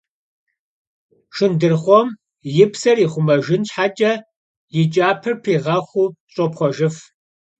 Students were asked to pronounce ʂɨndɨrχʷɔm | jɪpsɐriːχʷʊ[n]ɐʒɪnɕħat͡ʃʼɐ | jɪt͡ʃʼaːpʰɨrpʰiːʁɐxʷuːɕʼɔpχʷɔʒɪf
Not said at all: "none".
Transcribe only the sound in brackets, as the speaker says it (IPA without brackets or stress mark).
m